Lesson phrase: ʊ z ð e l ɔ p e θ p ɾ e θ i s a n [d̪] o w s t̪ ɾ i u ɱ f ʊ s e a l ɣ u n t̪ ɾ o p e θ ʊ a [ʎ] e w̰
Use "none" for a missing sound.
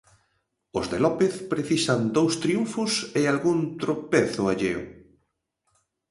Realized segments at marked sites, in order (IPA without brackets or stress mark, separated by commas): d̪, ʎ